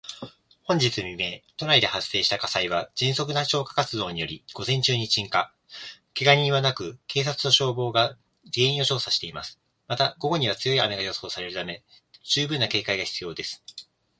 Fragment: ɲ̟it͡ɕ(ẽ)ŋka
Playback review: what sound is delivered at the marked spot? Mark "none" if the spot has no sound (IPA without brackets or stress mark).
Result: ĩ